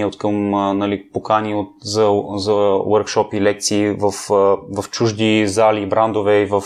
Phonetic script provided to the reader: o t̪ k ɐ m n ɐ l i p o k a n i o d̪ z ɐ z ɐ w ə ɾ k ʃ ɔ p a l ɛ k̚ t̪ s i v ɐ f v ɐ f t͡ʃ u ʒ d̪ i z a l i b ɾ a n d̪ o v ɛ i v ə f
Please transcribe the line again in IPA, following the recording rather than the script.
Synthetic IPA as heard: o t̪ k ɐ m n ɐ l i p o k a n i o t̪ z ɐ z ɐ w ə ɾ k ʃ ɔ p i l ɛ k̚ t̪ s iː v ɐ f v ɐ f t͡ʃ u ʒ d̪ i z a l i b ɾ a n d̪ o v ɛ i v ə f